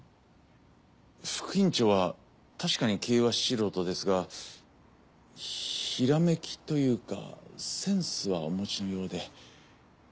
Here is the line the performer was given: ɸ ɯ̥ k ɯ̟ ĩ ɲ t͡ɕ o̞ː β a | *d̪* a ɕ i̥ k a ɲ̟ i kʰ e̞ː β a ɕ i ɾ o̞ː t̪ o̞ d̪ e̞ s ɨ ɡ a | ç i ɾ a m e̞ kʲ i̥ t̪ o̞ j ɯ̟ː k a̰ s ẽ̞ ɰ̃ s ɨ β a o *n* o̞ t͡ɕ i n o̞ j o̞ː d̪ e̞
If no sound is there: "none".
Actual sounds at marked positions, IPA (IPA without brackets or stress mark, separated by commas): t̪, m